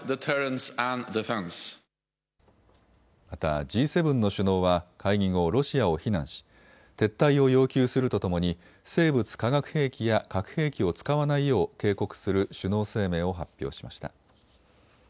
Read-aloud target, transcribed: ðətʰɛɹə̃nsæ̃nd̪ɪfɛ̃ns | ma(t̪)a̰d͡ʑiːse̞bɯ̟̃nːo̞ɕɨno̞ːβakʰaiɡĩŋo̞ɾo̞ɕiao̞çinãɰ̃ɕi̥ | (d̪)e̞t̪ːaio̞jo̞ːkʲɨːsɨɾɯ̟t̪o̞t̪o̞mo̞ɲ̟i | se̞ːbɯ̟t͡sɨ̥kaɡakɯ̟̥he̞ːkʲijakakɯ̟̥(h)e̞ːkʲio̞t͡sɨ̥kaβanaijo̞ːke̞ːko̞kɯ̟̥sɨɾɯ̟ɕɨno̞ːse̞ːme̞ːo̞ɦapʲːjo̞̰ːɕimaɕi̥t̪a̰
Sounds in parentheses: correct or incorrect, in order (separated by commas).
correct, incorrect, correct